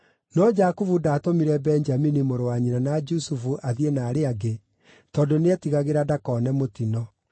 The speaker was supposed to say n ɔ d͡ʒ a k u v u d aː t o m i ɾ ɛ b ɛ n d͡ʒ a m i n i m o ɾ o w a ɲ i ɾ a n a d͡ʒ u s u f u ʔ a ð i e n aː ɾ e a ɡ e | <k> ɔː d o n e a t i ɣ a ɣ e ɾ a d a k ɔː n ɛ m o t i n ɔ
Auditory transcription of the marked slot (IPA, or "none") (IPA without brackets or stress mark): t